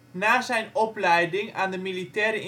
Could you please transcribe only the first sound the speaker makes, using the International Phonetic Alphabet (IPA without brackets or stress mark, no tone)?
n